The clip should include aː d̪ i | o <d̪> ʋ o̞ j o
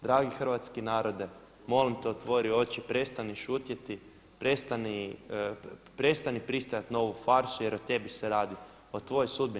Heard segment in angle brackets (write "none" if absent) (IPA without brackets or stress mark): t̪